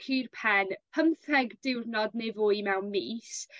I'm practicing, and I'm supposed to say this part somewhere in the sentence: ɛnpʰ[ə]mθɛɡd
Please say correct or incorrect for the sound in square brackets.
correct